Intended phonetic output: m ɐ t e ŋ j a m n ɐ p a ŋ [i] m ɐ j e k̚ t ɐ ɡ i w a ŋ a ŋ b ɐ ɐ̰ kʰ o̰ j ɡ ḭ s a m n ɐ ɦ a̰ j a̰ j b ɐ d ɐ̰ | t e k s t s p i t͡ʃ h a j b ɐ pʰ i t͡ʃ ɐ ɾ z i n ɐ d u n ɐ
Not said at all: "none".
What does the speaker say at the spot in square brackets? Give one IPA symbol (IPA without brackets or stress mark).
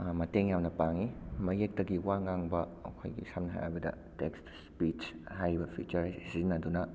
i